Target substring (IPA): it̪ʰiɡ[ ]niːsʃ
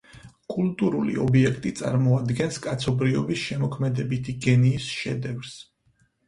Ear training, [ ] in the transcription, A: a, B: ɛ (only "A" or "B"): B